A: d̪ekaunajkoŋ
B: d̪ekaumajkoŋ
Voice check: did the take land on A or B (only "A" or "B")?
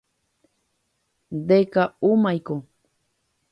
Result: B